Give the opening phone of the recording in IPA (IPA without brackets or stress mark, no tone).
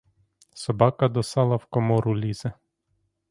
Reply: s